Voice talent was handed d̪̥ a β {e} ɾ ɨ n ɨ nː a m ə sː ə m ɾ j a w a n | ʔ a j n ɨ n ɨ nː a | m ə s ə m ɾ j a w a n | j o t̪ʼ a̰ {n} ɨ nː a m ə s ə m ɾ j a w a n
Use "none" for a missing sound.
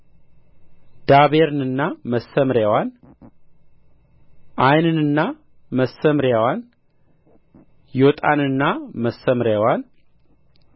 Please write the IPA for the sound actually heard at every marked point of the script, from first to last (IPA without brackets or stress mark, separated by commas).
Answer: e, n